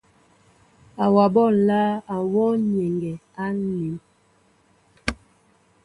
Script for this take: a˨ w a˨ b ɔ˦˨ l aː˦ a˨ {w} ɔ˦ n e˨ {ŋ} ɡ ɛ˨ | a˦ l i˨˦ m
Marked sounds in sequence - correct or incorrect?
correct, correct

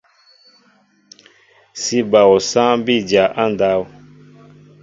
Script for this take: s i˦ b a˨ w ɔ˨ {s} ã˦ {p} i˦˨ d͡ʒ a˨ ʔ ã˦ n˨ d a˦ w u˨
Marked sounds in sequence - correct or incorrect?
correct, incorrect

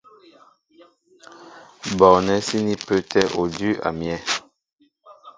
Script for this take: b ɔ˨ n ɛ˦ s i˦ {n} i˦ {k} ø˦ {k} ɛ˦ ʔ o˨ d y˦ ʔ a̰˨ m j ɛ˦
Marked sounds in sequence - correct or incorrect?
correct, incorrect, incorrect

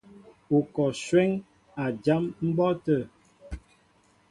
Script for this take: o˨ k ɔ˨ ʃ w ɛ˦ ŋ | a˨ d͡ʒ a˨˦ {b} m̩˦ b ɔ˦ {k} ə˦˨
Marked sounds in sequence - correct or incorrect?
incorrect, incorrect

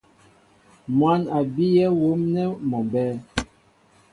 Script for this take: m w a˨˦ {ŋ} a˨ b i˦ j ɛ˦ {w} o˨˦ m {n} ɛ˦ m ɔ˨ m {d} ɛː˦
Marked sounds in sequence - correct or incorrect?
incorrect, correct, correct, incorrect

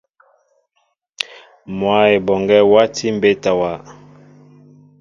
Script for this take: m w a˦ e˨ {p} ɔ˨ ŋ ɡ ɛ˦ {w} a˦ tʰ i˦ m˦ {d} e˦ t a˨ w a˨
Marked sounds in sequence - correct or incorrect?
incorrect, correct, incorrect

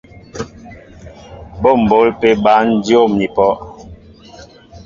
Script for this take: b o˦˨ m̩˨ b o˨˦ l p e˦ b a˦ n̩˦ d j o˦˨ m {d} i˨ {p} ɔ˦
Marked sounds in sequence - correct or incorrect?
incorrect, correct

